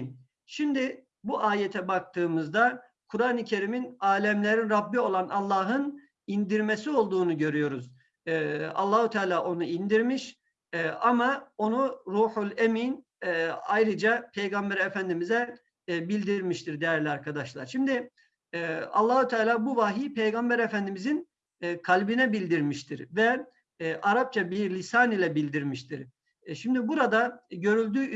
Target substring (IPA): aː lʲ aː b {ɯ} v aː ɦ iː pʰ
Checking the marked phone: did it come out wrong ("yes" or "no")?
yes